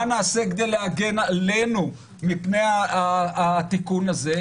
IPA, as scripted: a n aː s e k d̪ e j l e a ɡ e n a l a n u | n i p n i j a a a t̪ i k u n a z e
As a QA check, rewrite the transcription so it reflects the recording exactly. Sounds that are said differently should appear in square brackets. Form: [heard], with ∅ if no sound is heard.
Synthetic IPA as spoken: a n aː s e k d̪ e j l e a ɡ e n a l [e] n u | [m] i p n [e] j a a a t̪ i k u n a z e